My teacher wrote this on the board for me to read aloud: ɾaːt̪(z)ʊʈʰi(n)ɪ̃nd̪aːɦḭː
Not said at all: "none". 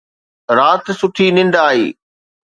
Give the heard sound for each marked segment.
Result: s, n

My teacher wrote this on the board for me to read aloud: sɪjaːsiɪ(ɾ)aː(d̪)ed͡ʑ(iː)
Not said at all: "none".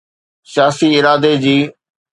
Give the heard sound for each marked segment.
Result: ɾ, d̪, iː

